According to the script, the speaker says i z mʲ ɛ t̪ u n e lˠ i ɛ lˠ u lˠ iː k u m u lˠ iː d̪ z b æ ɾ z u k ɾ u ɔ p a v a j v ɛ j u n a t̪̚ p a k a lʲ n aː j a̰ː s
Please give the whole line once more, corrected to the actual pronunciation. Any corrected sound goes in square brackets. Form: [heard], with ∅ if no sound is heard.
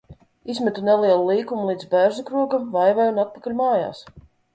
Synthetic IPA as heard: i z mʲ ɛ t̪ u n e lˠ i ɛ lˠ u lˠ iː k u m u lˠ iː d̪ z b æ ɾ z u k ɾ u ɔ [k] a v a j v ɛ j u n a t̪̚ p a k a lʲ [m] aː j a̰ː s

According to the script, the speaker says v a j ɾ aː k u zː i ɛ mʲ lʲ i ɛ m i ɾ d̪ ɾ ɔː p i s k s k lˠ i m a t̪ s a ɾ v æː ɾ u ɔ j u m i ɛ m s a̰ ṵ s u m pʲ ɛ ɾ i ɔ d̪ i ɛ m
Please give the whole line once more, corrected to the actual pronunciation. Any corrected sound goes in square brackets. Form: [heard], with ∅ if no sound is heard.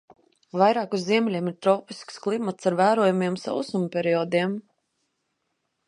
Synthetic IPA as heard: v a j ɾ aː k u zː i ɛ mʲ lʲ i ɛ m i ɾ [t̪] ɾ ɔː p i s k s k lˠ i m a t̪ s a ɾ v æː ɾ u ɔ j u m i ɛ m s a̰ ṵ s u m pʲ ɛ ɾ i ɔ d̪ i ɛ m

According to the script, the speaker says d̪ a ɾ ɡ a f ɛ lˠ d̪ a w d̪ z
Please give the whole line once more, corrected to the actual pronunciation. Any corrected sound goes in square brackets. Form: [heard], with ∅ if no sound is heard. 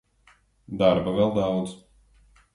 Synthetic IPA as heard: d̪ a ɾ [b] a [v] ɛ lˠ d̪ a w d̪ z

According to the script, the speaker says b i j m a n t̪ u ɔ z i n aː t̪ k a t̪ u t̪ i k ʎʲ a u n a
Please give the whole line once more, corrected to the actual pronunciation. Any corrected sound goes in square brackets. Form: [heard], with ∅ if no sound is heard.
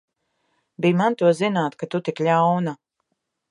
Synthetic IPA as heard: b i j m a n t̪ u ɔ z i n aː t̪ k a t̪ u t̪ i k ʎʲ a [w] n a

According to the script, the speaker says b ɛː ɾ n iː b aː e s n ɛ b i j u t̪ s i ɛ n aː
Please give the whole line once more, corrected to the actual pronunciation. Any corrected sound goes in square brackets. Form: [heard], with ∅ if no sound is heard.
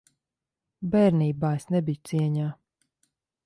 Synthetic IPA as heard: b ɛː ɾ n iː b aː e s n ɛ b i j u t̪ s i ɛ [ɲ] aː

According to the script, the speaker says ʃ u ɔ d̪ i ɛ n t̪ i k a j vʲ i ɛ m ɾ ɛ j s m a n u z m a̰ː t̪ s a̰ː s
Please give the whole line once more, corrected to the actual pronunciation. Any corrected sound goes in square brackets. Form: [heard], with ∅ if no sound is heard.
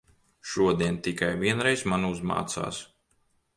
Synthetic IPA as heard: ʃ u ɔ d̪ i ɛ n t̪ i k a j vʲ i ɛ [n] ɾ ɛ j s m a n u z m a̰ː t̪ s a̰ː s

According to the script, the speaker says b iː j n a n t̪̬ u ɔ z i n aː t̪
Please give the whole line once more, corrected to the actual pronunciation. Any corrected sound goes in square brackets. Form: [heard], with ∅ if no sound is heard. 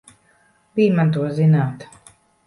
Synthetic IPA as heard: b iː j [m] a n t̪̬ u ɔ z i n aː t̪

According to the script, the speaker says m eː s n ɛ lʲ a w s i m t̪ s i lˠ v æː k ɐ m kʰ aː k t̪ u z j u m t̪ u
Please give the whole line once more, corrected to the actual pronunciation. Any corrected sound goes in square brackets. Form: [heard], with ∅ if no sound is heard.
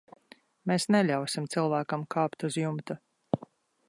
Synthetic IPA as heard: m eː s n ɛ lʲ a w s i m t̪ s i lˠ v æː k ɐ m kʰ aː [p] t̪ u z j u m t̪ u

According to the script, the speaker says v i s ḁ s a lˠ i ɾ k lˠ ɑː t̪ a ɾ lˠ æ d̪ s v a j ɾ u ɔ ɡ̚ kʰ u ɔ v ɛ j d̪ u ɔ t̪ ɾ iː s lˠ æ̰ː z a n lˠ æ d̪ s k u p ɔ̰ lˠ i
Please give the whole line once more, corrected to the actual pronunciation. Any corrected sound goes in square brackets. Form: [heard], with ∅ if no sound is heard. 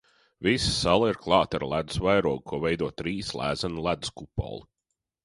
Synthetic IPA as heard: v i s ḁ s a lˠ i ɾ k lˠ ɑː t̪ a ɾ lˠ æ d̪ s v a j ɾ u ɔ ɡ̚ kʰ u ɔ v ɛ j d̪ u ɔ t̪ ɾ iː s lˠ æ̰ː z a n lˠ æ d̪ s k u p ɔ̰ lˠ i

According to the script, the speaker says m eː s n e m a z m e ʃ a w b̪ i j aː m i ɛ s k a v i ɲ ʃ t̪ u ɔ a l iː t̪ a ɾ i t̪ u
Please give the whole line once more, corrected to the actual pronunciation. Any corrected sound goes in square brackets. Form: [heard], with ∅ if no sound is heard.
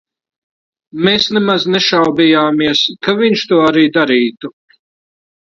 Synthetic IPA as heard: m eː s n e m a z [n] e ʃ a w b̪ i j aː m i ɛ s k a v i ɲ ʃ t̪ u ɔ a [ɾ] iː [d̪] a ɾ [iː] t̪ u

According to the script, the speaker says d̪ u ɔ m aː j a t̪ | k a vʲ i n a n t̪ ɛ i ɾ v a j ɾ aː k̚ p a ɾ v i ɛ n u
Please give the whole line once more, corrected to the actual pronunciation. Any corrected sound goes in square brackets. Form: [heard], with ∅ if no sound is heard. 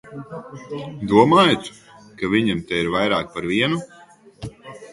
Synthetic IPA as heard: d̪ u ɔ m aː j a t̪ | k a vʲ i [ɲ] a [m] t̪ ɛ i ɾ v a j ɾ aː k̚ p a ɾ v i ɛ n u

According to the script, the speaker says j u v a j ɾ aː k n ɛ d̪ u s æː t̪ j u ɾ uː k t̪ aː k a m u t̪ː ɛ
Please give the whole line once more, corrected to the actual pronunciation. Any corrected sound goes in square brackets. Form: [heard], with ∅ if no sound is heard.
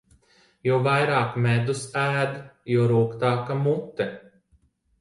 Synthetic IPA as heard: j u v a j ɾ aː k [m] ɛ d̪ u s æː [d̪] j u ɾ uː k t̪ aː k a m u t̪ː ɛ

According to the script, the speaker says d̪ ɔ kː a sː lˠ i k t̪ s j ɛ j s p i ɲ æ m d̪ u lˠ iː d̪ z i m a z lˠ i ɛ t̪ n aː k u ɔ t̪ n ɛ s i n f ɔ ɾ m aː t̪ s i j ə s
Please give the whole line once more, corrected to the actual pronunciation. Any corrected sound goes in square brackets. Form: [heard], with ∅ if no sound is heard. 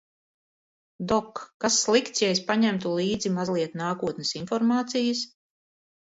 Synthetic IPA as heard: d̪ ɔ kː a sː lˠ i k t̪ s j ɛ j s p [a] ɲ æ m [t̪] u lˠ iː d̪ z i m a z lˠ i ɛ t̪ n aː k u ɔ t̪ n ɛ s i n f ɔ ɾ m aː t̪ s i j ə s

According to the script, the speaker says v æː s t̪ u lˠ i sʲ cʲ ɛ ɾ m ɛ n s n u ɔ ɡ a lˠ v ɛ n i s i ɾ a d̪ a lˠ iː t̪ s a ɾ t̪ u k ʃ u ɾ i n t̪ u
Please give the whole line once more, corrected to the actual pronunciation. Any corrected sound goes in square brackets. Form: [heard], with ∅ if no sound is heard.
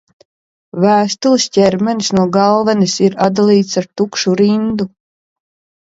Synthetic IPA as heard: v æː s t̪ u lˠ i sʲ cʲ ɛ ɾ m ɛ n s n u ɔ ɡ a lˠ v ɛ n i s i ɾ a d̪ a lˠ iː t̪ s a ɾ t̪ u k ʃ u ɾ i n [d̪] u

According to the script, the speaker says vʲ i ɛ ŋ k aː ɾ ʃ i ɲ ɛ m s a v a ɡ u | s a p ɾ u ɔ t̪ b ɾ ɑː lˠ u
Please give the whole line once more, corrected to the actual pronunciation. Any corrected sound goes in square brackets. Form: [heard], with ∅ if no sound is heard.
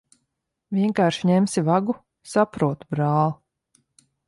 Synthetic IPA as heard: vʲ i ɛ ŋ k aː ɾ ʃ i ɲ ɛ m s [i] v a ɡ u | s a p ɾ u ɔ t̪ b ɾ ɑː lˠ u

